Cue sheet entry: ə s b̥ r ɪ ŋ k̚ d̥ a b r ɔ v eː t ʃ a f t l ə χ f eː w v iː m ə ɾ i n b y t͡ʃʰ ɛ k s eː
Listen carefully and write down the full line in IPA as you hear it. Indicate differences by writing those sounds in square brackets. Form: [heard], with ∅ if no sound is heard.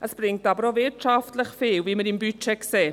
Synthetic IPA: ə s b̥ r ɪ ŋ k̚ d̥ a b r ɔ v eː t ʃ a f t l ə χ f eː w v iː m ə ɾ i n b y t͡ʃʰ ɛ k s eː